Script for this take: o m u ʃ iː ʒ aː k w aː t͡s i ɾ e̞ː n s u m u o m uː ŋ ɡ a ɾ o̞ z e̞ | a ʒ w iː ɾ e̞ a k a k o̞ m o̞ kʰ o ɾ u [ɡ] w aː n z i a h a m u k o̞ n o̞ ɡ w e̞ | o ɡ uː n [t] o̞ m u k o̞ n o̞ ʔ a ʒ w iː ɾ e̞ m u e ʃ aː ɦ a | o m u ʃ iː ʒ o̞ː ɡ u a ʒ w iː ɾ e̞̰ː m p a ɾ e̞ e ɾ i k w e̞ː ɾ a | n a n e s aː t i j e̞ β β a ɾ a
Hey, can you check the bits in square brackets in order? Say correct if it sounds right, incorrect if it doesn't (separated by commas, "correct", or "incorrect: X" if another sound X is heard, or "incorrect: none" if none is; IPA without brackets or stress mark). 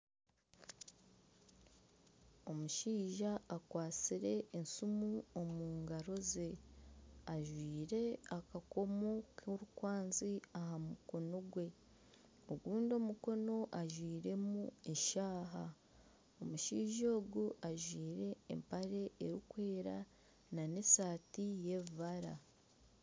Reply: incorrect: k, incorrect: d